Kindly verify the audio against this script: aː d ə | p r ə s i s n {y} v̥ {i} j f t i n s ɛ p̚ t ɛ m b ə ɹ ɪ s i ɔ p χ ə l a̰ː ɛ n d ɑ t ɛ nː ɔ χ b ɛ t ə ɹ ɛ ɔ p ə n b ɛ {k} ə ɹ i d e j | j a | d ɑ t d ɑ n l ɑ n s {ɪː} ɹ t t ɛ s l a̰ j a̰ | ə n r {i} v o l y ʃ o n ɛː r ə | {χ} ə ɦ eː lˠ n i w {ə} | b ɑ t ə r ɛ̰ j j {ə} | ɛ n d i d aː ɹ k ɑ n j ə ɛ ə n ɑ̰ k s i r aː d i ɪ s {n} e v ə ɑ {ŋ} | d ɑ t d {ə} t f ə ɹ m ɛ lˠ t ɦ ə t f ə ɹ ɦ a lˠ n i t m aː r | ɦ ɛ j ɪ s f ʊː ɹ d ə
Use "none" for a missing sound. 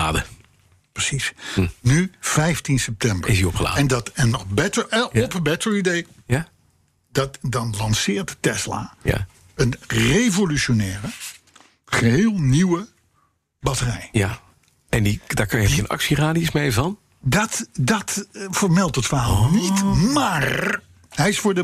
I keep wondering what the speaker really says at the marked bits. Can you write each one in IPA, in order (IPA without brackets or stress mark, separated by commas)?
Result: y, ɛ, t, ɪː, e, χ, ə, a, m, n, ɑ